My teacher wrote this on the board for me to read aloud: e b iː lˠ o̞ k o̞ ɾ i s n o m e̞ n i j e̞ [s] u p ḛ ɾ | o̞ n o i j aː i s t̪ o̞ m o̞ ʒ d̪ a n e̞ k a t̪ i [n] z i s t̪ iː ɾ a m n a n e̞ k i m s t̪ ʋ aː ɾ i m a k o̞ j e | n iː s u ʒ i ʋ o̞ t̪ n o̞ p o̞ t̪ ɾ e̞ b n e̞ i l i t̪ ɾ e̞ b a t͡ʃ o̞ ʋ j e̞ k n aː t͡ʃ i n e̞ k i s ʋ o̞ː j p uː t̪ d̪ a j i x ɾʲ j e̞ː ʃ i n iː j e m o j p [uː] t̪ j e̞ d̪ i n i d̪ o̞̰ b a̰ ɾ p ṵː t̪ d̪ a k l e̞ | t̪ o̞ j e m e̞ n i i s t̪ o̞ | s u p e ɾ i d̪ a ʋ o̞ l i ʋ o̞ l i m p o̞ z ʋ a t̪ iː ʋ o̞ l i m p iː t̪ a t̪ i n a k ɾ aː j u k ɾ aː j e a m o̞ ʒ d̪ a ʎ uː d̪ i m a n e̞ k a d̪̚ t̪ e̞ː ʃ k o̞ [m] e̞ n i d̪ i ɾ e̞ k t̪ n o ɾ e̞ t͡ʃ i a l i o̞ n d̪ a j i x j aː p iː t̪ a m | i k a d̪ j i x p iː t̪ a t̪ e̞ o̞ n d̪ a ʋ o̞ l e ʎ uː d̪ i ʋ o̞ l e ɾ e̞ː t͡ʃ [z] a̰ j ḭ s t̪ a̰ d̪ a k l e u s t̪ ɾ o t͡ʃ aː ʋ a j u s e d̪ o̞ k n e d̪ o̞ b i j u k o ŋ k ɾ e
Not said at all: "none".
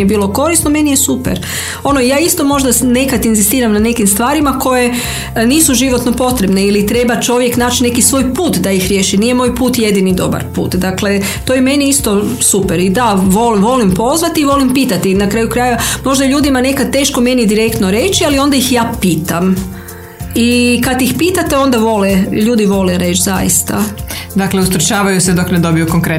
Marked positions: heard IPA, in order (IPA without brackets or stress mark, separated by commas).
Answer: s, n, uː, m, z